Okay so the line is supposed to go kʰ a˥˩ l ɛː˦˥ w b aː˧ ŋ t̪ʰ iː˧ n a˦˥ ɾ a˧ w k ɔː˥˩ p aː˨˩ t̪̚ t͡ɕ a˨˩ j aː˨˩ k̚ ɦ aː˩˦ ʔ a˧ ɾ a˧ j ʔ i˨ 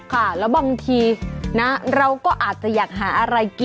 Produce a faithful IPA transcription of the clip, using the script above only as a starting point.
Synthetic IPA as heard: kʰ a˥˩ l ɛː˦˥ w b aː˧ ŋ t̪ʰ iː˧ n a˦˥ ɾ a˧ w k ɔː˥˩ ʔ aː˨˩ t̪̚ t͡ɕ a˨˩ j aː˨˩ k̚ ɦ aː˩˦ ʔ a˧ ɾ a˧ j k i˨